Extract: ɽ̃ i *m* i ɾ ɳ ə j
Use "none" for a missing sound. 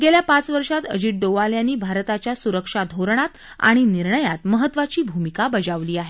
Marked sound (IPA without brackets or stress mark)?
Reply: n